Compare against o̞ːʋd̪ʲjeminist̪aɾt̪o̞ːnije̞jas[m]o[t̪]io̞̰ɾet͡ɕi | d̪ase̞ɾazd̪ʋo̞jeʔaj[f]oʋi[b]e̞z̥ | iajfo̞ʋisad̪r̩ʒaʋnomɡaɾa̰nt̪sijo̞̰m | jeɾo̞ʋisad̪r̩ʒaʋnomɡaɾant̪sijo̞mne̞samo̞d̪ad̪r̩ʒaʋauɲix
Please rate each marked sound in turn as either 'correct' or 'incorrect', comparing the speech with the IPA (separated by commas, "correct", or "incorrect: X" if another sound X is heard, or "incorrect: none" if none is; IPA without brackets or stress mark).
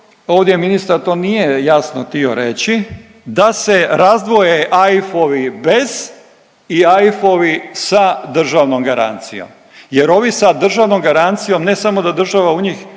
incorrect: n, correct, correct, correct